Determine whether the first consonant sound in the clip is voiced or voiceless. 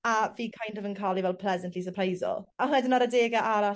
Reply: voiced